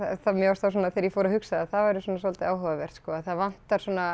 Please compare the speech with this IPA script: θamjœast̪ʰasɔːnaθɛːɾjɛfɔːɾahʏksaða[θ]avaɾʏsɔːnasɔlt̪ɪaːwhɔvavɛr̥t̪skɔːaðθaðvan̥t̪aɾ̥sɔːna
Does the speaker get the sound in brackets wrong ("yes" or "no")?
no